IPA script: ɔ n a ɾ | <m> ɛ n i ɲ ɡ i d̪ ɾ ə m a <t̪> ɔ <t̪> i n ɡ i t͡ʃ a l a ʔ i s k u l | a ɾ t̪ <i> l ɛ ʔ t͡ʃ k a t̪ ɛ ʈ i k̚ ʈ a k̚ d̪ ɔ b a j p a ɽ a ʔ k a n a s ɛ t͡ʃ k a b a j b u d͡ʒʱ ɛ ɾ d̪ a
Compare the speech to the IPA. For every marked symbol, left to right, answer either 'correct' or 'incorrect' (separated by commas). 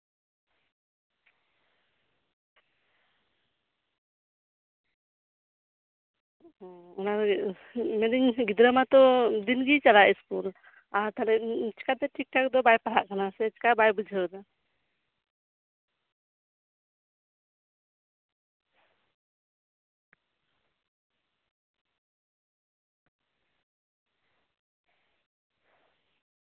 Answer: correct, correct, incorrect, incorrect